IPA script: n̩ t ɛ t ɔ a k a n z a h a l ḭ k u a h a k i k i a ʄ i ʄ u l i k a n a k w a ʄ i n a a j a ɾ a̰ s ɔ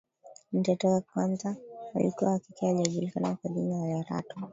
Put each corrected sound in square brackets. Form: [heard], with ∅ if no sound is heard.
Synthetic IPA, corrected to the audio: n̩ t ɛ t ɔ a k a n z a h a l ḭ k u a h a k i k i a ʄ [a] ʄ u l i k a n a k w a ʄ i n a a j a ɾ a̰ [t] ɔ